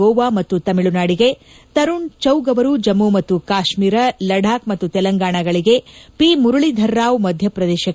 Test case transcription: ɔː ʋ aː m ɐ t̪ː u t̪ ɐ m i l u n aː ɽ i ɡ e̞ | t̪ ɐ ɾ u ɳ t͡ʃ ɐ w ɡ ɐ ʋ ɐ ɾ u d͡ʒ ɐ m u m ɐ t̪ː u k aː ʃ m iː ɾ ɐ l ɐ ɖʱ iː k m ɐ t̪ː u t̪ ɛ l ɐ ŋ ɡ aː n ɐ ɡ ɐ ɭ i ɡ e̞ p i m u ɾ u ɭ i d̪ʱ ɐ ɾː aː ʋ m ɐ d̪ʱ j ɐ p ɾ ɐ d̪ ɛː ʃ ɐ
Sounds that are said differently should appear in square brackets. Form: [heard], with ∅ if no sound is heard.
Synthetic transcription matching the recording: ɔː ʋ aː m ɐ t̪ː u t̪ ɐ m i [ɭ] u n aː ɽ i ɡ e̞ | t̪ ɐ ɾ u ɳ t͡ʃ ɐ w ɡ ɐ ʋ ɐ ɾ u d͡ʒ ɐ m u m ɐ t̪ː u k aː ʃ m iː ɾ ɐ l ɐ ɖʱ [aː] k m ɐ t̪ː u t̪ ɛ l ɐ ŋ ɡ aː [ɳ] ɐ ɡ ɐ ɭ i ɡ e̞ p i m u ɾ u ɭ i d̪ʱ ɐ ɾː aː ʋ m ɐ d̪ʱ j ɐ p ɾ ɐ d̪ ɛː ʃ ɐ